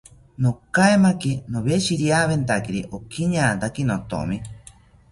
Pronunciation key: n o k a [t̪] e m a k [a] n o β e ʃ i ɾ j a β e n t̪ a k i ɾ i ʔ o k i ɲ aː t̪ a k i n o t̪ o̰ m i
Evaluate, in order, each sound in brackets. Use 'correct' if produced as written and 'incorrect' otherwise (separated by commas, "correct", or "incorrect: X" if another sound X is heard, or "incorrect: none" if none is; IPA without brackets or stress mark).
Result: incorrect: none, incorrect: i